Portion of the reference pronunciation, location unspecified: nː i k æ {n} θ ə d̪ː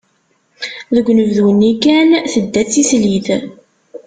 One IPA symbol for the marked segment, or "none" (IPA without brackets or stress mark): n